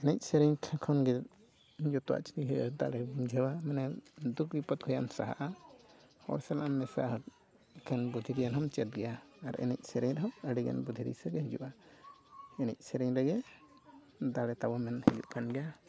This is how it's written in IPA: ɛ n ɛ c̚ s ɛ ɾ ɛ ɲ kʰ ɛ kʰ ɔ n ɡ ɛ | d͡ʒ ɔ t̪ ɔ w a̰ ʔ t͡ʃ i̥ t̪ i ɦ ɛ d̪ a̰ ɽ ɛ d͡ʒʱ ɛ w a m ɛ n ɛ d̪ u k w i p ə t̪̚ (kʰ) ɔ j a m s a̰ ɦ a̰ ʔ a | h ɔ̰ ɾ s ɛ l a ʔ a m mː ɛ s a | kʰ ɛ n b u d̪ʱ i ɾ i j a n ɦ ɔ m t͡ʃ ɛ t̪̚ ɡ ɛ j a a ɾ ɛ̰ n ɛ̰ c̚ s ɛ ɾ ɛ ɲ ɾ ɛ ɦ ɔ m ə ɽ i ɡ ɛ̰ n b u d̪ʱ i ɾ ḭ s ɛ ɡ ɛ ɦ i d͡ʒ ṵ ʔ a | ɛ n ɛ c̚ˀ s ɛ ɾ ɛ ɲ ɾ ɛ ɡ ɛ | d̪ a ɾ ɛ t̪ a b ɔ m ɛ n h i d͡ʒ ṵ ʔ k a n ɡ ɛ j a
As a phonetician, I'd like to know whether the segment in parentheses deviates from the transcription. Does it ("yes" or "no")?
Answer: no